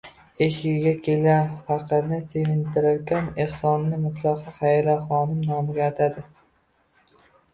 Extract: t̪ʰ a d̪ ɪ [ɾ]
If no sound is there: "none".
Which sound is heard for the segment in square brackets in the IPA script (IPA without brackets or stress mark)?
none